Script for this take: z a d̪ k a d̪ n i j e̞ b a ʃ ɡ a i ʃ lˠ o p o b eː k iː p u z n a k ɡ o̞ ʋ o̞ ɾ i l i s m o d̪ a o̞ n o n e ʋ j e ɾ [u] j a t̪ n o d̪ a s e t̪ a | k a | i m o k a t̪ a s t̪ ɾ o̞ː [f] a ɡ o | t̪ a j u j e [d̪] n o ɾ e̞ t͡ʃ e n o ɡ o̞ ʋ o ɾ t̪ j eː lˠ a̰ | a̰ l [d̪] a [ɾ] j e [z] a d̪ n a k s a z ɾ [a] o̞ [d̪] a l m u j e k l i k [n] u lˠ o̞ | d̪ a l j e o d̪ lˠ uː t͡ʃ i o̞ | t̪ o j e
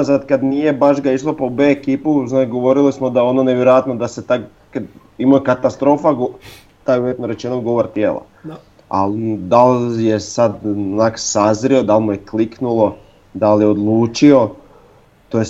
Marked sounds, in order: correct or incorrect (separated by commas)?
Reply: incorrect, correct, incorrect, correct, incorrect, incorrect, incorrect, correct, correct